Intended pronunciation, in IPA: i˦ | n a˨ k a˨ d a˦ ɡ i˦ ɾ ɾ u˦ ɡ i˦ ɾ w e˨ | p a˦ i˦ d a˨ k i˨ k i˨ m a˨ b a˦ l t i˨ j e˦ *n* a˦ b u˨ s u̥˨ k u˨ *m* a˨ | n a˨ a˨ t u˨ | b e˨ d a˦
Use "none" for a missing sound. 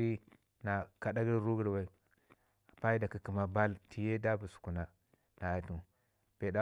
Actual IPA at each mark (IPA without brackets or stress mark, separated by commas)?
d, n